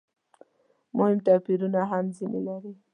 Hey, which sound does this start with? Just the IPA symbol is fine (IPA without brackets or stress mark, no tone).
m